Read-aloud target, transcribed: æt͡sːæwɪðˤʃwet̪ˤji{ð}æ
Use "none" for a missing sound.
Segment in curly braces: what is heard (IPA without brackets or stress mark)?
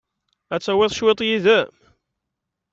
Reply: ð